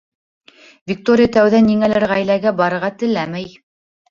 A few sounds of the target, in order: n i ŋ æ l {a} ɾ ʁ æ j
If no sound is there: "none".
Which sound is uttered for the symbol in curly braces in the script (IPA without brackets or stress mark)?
æ